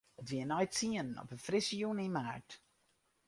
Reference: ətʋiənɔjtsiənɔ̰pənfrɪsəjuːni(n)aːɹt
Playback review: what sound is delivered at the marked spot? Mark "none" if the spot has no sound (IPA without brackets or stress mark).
m